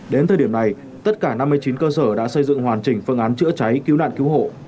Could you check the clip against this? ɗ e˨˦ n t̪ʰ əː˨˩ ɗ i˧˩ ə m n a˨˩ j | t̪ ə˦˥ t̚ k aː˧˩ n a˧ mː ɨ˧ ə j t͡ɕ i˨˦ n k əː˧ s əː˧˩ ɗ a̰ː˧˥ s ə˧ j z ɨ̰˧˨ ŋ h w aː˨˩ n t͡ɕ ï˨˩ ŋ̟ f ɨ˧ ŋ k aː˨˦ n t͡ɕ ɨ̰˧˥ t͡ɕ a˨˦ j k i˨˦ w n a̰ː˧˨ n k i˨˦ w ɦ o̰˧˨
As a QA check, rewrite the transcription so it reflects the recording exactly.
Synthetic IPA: ɗ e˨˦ n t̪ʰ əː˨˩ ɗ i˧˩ ə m n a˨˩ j | t̪ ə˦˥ t̚ k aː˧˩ n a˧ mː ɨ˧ ə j t͡ɕ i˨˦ n k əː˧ s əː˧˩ ɗ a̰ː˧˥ s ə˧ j z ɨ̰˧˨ ŋ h w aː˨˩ n t͡ɕ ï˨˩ ŋ̟ f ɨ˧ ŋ ʔ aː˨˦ n t͡ɕ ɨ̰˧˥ t͡ɕ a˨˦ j k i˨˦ w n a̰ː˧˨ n k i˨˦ w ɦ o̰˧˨